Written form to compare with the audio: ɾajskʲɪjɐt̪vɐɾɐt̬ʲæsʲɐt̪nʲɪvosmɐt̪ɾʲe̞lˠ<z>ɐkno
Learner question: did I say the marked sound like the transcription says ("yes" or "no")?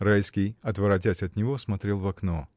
no